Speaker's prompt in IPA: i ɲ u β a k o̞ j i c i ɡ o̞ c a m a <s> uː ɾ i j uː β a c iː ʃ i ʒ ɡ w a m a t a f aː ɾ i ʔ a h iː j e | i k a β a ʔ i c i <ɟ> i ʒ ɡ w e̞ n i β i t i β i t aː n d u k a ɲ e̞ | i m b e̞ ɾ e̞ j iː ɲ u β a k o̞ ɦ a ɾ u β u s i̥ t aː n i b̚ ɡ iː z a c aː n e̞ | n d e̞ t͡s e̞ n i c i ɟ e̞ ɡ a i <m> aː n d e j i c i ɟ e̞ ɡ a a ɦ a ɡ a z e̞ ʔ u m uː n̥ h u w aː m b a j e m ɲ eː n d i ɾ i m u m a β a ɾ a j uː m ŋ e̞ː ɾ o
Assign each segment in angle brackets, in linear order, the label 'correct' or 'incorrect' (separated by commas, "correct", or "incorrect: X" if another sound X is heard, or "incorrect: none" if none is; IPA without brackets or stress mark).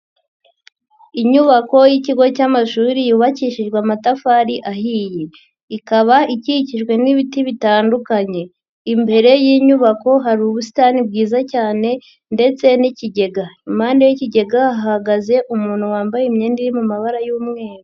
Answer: incorrect: ʃ, incorrect: c, correct